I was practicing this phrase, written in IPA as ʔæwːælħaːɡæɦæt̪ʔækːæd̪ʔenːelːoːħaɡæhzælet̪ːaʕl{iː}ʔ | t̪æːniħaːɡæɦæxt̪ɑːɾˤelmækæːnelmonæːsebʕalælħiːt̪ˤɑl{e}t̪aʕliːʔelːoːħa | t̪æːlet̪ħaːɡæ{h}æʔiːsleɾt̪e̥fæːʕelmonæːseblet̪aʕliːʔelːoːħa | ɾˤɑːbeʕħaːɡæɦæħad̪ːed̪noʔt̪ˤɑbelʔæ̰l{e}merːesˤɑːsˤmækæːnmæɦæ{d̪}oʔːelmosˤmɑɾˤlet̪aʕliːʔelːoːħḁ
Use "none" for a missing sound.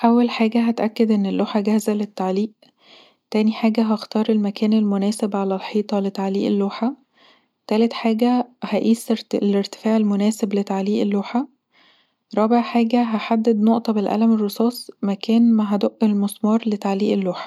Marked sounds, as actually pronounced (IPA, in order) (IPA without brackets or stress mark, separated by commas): iː, e, h, æ, d̪